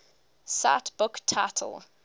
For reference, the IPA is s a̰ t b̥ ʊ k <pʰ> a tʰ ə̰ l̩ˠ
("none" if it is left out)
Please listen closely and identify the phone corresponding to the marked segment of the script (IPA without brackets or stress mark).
tʰ